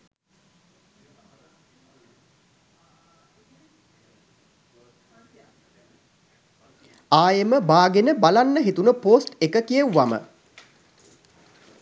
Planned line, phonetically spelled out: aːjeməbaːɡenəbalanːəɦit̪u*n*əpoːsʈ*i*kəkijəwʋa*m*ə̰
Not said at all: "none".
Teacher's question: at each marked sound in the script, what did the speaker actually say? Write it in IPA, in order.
n, e, m

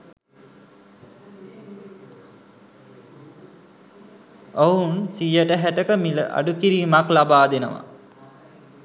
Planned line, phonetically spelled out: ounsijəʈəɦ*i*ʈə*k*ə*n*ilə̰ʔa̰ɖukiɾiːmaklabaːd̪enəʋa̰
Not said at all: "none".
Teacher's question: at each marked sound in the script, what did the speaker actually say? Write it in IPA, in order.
æ, k, m

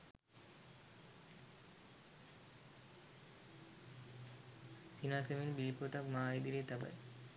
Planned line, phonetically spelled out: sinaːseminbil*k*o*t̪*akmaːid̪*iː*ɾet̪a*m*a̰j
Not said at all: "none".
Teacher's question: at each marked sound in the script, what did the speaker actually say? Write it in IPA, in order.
p, t̪, i, b

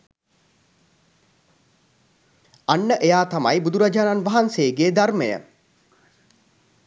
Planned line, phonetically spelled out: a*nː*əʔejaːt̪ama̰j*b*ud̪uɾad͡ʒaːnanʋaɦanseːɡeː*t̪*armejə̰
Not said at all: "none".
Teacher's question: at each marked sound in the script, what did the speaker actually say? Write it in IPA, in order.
nː, b, d̪

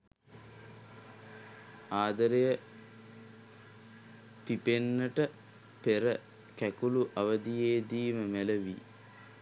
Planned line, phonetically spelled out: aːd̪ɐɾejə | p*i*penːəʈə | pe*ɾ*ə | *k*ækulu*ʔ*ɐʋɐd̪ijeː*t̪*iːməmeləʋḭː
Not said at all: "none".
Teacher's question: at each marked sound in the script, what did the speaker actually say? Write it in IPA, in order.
i, ɾ, k, ʔ, d̪

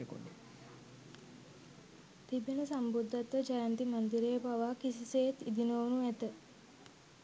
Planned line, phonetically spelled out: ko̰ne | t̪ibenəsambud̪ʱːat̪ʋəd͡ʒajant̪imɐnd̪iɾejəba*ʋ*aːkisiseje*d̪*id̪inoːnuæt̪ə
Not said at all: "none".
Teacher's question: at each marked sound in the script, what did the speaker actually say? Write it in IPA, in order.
ʋ, t̪

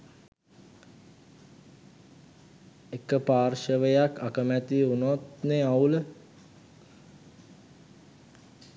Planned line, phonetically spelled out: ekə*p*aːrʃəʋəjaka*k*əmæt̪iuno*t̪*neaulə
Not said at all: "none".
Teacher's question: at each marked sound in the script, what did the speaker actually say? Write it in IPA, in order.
p, k, t̪

